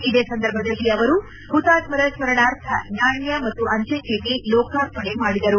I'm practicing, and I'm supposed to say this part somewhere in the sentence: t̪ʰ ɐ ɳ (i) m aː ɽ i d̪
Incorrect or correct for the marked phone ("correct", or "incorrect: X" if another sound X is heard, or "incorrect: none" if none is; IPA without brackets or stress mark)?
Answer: incorrect: e